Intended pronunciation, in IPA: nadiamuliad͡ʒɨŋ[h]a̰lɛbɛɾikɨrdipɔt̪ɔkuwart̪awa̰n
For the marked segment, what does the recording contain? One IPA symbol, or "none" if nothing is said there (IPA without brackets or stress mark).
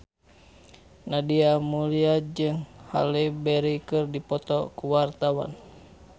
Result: h